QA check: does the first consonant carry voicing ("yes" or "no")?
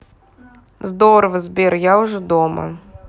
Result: yes